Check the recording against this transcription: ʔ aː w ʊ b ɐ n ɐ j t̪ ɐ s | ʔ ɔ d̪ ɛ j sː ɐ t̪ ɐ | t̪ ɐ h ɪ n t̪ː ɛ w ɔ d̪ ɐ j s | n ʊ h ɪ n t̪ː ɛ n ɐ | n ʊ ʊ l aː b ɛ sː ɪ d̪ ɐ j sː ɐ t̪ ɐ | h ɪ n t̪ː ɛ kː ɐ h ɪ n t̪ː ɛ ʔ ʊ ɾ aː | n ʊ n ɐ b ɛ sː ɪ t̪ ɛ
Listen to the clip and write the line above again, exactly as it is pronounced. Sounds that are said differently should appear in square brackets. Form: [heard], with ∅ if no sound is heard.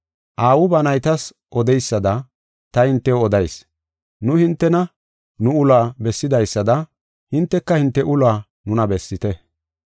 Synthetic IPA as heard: ʔ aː w ʊ b ɐ n ɐ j t̪ ɐ s | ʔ ɔ d̪ ɛ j sː ɐ [d̪] ɐ | t̪ ɐ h ɪ n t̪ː ɛ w ɔ d̪ ɐ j s | n ʊ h ɪ n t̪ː ɛ n ɐ | n ʊ ʊ l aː b ɛ sː ɪ d̪ ɐ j sː ɐ [d̪] ɐ | h ɪ n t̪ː ɛ kː ɐ h ɪ n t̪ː ɛ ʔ ʊ [l] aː | n ʊ n ɐ b ɛ sː ɪ t̪ ɛ